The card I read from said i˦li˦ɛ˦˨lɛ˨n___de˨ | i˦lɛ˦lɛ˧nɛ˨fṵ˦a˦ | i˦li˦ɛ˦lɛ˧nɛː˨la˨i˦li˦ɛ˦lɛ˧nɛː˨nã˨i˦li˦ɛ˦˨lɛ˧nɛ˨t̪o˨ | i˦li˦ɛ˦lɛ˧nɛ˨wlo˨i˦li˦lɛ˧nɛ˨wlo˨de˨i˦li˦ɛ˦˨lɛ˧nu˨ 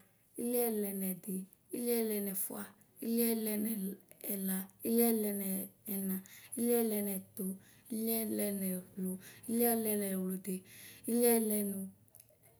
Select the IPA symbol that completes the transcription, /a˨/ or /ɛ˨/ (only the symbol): ɛ˨